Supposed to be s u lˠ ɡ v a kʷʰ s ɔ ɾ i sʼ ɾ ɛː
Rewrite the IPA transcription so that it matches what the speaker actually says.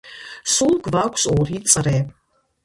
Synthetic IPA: s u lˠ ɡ v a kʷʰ s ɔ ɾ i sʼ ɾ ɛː

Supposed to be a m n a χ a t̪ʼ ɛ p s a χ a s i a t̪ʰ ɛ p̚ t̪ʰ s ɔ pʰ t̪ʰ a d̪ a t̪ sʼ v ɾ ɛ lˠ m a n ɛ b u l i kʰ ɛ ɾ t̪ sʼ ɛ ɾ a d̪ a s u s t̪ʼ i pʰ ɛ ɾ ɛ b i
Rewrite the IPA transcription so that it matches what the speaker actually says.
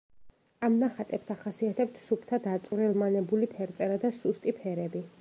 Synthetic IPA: a m n a χ a t̪ʼ ɛ p s a χ a s i a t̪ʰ ɛ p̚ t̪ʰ s u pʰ t̪ʰ a d̪ a t̪ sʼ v ɾ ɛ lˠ m a n ɛ b u l i pʰ ɛ ɾ t̪ sʼ ɛ ɾ a d̪ a s u s t̪ʼ i pʰ ɛ ɾ ɛ b i

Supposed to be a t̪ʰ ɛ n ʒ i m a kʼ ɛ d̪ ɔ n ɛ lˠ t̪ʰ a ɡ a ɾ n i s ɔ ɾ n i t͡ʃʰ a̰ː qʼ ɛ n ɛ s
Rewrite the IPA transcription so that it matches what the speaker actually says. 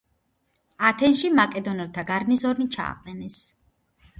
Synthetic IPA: a t̪ʰ ɛ n ʃ i m a kʼ ɛ d̪ ɔ n ɛ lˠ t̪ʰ a ɡ a ɾ n i s ɔ ɾ n i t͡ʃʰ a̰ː qʼ ɛ n ɛ s

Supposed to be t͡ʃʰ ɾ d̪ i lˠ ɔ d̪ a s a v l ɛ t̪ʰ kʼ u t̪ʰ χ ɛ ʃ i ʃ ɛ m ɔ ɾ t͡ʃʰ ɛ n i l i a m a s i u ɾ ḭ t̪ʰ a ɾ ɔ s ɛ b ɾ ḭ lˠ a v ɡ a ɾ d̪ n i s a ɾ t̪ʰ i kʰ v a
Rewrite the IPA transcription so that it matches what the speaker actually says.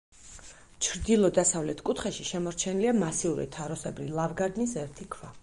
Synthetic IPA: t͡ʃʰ ɾ d̪ i lˠ ɔ d̪ a s a v l ɛ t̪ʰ kʼ u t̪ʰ χ ɛ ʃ i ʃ ɛ m ɔ ɾ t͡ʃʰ ɛ n i l i a m a s i u ɾ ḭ t̪ʰ a ɾ ɔ s ɛ b ɾ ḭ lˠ a v ɡ a ɾ d̪ n i s ɛ ɾ t̪ʰ i kʰ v a

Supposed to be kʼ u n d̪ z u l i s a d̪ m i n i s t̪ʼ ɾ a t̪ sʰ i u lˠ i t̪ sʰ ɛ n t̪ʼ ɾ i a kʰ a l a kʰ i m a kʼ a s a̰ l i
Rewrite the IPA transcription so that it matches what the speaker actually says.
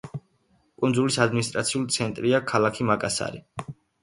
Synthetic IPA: kʼ u n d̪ z u l i s a d̪ m i n i s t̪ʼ ɾ a t̪ sʰ i u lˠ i t̪ sʰ ɛ n t̪ʼ ɾ i a kʰ a l a kʰ i m a kʼ a s a̰ ɾ i

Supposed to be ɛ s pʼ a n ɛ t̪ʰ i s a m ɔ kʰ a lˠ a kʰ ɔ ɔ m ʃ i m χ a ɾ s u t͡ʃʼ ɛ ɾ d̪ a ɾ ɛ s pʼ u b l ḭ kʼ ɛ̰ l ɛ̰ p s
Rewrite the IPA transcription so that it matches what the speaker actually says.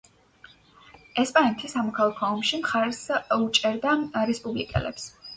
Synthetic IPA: ɛ s pʼ a n ɛ t̪ʰ i s a m ɔ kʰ a lˠ a kʰ ɔ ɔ m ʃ i m χ a ɾ s u t͡ʃʼ ɛ ɾ d̪ a ɾ ɛ s pʼ u b l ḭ kʼ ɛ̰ l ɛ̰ p s

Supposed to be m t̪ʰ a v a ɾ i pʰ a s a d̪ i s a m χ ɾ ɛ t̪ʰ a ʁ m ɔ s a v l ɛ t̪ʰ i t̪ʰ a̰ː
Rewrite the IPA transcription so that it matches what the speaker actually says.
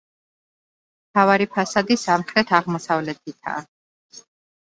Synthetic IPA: m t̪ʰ a v a ɾ i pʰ a s a d̪ i s a m χ ɾ ɛ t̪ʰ a ʁ m ɔ s a v l ɛ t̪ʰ i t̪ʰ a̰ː

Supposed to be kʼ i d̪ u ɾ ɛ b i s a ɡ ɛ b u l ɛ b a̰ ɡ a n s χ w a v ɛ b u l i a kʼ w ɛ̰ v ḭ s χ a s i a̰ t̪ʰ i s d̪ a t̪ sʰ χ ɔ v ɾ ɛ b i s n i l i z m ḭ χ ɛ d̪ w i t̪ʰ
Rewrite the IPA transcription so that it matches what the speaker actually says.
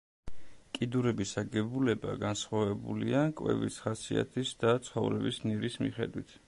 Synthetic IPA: kʼ i d̪ u ɾ ɛ b i s a ɡ ɛ b u l ɛ b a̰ ɡ a n s χ w a v ɛ b u l i a kʼ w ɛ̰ v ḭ s χ a s i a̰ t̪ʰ i s d̪ a t̪ sʰ χ ɔ v ɾ ɛ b i s n i ɾ i s m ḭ χ ɛ d̪ w i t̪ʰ

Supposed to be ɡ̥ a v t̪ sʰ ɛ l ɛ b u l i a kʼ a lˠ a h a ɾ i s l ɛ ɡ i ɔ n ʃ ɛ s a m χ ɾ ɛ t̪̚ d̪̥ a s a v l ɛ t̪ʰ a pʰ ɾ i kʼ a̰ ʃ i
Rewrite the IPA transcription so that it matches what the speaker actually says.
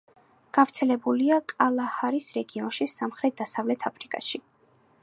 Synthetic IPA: ɡ̥ a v t̪ sʰ ɛ l ɛ b u l i a kʼ a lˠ a h a ɾ i s ɾ ɛ ɡ i ɔ n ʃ i s a m χ ɾ ɛ t̪̚ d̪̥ a s a v l ɛ t̪ʰ a pʰ ɾ i kʼ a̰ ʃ i

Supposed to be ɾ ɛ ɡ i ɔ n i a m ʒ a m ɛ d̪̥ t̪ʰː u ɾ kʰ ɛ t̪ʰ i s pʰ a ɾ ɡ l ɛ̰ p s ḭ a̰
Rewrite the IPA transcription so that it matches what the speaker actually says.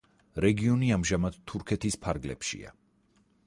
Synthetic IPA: ɾ ɛ ɡ i ɔ n i a m ʒ a m a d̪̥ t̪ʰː u ɾ kʰ ɛ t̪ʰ i s pʰ a ɾ ɡ l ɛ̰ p ʃ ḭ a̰

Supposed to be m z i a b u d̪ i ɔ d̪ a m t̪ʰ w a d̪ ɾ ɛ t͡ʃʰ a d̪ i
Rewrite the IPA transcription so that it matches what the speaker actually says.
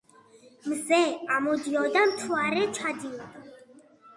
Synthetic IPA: m z ɛ a m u d̪ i ɔ d̪ a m t̪ʰ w a ɾ ɛ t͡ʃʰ a d̪ i

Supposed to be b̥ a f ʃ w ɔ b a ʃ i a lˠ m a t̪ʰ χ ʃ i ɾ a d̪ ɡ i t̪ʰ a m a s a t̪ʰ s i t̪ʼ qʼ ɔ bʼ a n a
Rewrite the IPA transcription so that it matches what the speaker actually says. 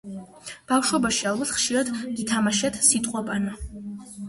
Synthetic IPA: b̥ a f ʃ w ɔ b a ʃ i a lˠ b a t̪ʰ χ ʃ i ɾ a d̪ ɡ i t̪ʰ a m a ʃ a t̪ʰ s i t̪ʼ qʼ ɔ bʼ a n a

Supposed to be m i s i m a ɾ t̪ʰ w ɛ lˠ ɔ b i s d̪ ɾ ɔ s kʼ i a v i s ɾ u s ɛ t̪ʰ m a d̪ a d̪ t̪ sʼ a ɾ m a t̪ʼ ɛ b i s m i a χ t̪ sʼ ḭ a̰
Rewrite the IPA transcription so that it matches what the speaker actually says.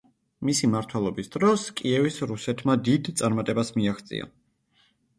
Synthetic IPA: m i s i m a ɾ t̪ʰ w ɛ lˠ ɔ b i s d̪ ɾ ɔ s kʼ i ɛ v i s ɾ u s ɛ t̪ʰ m a d̪ i d̪ t̪ sʼ a ɾ m a t̪ʼ ɛ b a s m i a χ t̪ sʼ ḭ a̰

